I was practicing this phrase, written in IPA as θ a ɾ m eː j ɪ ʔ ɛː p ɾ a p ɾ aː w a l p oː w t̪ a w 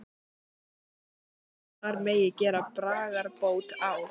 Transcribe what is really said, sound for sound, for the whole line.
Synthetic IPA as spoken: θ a ɾ m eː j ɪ c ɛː ɾ a p ɾ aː ɣ a ɾ p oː w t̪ a w